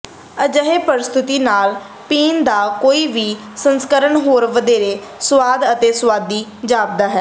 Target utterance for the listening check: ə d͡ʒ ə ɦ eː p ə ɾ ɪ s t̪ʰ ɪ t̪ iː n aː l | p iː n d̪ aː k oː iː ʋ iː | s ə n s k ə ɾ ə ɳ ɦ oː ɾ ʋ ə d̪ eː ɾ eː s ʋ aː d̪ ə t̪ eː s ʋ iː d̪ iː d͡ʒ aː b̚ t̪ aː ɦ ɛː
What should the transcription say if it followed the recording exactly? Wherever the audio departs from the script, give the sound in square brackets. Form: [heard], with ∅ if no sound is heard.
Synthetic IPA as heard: ə d͡ʒ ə ɦ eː p ə ɾ ɪ s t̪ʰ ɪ t̪ iː n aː l | p iː n d̪ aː k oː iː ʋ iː | s ə n s k ə ɾ ə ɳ ɦ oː ɾ ʋ ə d̪ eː ɾ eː s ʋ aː d̪ ə t̪ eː s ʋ [aː] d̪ iː d͡ʒ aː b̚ [d̪] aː ɦ ɛː